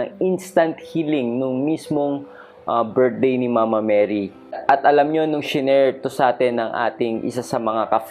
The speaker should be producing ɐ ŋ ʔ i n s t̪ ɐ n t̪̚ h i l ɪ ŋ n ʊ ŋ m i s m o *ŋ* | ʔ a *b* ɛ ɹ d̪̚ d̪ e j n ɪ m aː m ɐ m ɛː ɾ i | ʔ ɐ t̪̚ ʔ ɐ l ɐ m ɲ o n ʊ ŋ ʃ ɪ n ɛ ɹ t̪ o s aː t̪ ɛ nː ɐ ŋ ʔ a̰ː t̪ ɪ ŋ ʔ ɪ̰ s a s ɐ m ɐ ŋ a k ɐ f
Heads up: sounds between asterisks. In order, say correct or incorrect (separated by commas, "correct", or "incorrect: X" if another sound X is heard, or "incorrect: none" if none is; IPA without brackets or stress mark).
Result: correct, correct